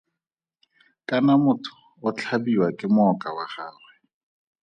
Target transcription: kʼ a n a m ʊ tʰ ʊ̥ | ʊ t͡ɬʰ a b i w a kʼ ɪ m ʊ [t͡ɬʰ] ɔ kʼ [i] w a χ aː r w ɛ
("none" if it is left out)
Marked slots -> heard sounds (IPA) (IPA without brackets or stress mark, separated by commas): none, a